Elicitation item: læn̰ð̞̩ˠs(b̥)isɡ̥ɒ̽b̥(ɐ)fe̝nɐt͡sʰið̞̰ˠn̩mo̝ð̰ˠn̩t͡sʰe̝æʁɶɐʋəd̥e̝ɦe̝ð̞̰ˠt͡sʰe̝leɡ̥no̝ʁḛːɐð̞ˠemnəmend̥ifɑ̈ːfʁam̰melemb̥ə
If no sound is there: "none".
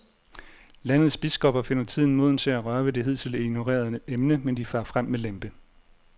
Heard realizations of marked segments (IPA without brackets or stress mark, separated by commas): b̥, ɐ